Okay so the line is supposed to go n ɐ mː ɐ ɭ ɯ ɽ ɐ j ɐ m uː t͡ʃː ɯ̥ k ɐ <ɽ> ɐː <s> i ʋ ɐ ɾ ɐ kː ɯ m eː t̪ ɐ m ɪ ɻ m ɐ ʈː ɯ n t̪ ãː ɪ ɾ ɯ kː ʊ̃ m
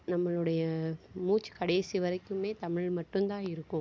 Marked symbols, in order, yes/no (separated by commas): yes, yes